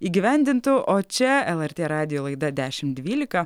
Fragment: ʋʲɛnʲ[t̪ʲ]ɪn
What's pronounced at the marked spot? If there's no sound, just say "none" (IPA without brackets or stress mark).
d̪ʲ